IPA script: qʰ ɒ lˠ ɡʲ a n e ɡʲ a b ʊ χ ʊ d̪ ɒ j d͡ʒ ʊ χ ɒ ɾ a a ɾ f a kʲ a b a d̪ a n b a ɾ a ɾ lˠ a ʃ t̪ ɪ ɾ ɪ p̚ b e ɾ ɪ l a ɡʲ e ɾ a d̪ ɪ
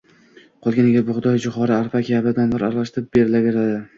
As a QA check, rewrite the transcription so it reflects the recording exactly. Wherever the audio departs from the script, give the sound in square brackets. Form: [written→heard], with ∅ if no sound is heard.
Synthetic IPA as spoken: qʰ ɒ lˠ ɡʲ a n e ɡʲ a b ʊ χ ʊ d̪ ɒ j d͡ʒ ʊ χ ɒ ɾ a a ɾ f a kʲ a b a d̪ a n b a ɾ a ɾ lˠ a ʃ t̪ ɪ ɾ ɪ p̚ b e ɾ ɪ l a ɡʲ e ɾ a d̪ ɪ